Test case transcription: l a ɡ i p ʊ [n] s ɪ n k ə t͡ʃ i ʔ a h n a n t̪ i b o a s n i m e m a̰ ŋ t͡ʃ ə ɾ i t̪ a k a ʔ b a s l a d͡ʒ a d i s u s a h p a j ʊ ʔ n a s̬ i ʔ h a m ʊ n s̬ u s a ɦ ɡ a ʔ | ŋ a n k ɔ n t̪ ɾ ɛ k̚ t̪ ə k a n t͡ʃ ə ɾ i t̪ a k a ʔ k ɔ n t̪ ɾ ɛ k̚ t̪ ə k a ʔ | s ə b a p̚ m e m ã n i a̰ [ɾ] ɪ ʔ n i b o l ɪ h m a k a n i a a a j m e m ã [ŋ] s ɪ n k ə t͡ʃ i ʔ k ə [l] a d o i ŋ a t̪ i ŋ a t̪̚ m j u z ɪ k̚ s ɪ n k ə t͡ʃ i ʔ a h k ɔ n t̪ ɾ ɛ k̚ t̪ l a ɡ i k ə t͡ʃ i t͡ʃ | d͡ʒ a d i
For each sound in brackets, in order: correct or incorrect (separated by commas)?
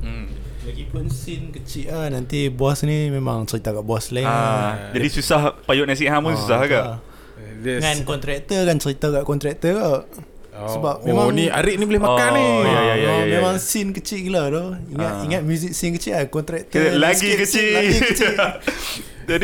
correct, correct, correct, correct